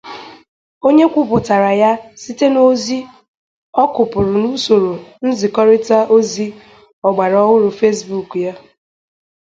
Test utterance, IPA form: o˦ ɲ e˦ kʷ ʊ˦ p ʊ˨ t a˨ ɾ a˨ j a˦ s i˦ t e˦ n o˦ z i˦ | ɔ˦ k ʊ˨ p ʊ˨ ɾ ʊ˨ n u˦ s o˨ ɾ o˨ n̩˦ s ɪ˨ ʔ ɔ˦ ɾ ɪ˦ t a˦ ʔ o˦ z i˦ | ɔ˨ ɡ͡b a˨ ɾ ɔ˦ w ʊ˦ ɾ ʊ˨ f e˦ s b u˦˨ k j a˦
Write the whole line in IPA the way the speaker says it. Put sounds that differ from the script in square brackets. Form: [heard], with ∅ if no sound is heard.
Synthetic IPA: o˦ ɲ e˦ kʷ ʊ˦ p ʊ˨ t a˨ ɾ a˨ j a˦ s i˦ t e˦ n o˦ z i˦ | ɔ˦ k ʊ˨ p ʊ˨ ɾ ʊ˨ n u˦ s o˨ ɾ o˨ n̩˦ [z] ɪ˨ [k] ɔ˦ ɾ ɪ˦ t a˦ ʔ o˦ z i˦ | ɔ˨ ɡ͡b a˨ ɾ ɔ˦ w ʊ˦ ɾ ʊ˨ f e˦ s b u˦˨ k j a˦